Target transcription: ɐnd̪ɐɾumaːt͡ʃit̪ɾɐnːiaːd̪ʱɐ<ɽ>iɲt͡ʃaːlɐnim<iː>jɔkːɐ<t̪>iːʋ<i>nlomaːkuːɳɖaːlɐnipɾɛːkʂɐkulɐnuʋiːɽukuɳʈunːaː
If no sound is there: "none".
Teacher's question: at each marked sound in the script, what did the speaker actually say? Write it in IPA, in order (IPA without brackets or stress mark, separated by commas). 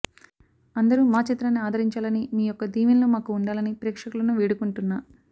ɾ, iː, d̪, i